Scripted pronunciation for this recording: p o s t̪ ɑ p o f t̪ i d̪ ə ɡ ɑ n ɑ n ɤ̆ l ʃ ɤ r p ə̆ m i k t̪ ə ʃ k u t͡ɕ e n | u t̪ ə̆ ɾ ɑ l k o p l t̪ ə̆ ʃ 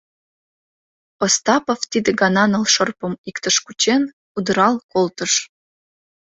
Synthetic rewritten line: p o s t̪ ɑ p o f t̪ i d̪ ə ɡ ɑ n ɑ n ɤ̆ l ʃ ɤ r p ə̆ m i k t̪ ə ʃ k u t͡ɕ e n | u d̪ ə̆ ɾ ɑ l k o l t̪ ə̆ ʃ